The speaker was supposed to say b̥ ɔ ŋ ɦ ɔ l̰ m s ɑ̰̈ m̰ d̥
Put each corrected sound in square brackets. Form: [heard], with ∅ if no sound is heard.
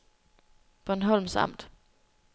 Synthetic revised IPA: b̥ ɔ [n] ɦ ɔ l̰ m s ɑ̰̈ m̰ d̥